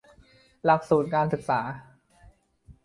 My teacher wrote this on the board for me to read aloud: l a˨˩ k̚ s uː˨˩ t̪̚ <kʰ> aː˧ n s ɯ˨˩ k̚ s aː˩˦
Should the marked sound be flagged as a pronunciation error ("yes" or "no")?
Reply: yes